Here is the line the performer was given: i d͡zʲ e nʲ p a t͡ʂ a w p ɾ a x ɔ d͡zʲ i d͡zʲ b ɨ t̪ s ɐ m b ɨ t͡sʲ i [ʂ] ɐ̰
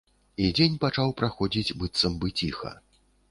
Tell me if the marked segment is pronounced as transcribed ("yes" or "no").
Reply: no